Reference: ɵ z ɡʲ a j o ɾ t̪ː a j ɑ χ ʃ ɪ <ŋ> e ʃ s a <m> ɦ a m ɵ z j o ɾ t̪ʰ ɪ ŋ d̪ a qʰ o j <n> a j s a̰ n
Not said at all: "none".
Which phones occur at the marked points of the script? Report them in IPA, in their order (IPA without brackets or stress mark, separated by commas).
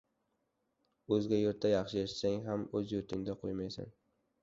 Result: none, ŋ, m